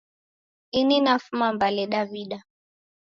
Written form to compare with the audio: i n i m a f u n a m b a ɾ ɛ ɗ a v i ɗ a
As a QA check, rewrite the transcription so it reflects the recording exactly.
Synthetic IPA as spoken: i n i n a f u m a m b a l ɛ ɗ a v i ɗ a